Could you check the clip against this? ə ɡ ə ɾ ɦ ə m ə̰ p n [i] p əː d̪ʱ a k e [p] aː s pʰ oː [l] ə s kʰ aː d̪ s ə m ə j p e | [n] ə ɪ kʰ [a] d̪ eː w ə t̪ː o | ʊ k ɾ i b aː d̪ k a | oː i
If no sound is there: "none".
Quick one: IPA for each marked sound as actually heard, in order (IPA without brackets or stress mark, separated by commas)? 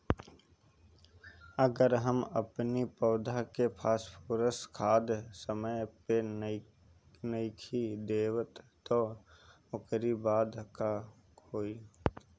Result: i, pʰ, ɾ, n, i